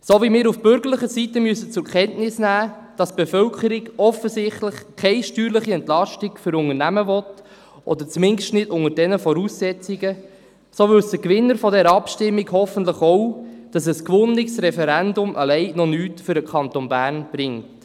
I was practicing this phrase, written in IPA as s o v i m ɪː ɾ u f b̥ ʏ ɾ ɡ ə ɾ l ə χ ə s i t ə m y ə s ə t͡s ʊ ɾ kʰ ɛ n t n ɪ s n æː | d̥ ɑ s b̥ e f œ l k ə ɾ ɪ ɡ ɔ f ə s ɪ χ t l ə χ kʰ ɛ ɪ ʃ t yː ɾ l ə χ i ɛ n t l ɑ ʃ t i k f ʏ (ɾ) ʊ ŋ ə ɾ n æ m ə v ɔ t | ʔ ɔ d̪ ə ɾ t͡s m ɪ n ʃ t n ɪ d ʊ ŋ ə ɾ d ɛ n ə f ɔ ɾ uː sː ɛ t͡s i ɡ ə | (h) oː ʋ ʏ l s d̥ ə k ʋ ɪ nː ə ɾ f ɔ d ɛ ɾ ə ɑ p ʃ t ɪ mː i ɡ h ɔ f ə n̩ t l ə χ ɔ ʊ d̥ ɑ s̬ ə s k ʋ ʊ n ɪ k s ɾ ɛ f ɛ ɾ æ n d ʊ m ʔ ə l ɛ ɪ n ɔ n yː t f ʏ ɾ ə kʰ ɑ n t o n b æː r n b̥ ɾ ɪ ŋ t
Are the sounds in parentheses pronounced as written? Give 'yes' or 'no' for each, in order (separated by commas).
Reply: yes, no